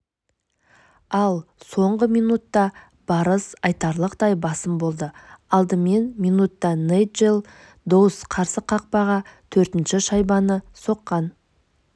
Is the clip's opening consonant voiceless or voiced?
voiced